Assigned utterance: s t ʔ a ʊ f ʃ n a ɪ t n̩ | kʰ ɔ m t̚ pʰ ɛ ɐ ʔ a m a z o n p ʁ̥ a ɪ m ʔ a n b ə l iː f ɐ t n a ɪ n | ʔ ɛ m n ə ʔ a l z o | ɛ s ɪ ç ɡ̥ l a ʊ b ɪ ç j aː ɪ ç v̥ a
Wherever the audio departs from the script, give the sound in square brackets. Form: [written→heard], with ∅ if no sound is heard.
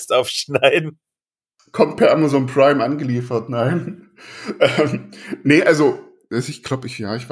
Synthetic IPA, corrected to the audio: s t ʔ a ʊ f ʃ n a ɪ [t→d] n̩ | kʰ ɔ m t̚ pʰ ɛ ɐ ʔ a m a z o n p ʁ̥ a ɪ m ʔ a n [b→ɡ] ə l iː f ɐ t n a ɪ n | ʔ ɛ m n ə ʔ a l z o | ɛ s ɪ ç ɡ̥ l a ʊ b ɪ ç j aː ɪ ç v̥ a